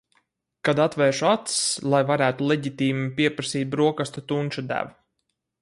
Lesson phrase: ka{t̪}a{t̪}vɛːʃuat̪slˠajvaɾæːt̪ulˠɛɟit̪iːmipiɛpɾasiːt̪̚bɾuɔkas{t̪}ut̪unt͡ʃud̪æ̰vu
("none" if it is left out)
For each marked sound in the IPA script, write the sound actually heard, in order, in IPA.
d̪, t̪, t̪

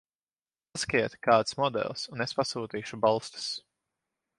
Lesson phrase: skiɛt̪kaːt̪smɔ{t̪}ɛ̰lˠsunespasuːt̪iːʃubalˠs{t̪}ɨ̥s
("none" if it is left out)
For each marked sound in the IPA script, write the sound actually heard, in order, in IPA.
d̪, t̪

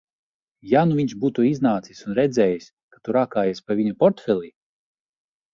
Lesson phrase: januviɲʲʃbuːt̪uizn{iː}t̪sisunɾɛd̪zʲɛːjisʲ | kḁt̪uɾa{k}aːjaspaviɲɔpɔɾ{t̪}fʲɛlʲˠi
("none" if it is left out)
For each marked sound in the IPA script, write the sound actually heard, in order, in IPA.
aː, k, t̪

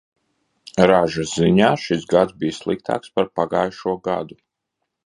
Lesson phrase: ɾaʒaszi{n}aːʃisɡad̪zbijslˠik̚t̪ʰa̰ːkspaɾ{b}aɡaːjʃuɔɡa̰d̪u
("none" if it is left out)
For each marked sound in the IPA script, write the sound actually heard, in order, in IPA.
ɲ, p

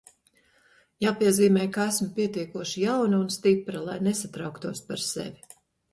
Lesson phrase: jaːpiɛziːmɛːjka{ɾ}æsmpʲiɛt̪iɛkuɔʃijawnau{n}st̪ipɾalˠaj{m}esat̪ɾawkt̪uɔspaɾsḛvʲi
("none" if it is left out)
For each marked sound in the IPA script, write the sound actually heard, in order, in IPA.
none, n, n

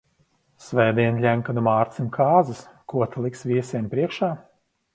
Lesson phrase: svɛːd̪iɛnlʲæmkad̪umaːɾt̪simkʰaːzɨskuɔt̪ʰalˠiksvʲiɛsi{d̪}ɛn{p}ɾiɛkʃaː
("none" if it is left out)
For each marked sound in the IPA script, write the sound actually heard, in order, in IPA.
none, p

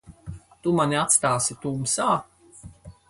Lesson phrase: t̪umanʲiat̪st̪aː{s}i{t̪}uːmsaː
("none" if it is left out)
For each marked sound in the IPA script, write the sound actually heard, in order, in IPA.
s, t̪

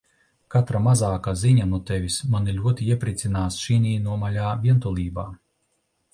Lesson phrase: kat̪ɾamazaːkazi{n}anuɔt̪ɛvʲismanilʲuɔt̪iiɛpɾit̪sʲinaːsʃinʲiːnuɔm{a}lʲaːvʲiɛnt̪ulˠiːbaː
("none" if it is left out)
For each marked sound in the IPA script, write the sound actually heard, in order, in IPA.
ɲ, a

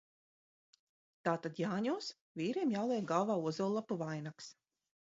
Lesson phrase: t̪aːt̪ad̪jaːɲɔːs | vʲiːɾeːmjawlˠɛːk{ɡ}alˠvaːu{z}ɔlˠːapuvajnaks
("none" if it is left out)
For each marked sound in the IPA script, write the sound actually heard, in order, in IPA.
ɡ, z

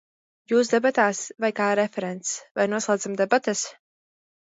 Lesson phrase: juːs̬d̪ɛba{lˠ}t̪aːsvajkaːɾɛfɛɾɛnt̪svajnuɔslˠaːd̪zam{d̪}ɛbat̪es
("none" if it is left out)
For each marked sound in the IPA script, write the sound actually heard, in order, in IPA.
none, d̪

